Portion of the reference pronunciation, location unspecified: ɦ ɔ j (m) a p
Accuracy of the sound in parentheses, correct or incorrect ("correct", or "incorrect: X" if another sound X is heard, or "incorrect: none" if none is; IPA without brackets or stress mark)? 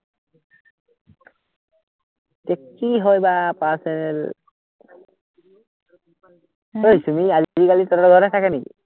incorrect: b